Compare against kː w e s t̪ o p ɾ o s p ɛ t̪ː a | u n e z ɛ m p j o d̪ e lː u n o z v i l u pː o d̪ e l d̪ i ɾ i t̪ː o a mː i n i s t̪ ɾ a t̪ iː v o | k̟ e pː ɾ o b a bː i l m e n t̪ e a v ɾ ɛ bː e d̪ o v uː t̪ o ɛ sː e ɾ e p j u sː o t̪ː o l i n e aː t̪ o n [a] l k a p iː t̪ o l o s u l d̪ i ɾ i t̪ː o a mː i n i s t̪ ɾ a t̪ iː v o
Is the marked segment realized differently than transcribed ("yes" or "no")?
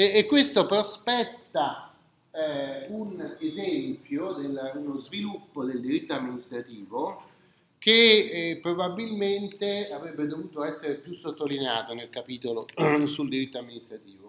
yes